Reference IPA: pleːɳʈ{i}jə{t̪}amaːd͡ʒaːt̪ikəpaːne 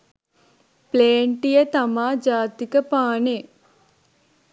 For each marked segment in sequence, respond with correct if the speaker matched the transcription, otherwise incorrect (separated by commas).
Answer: correct, correct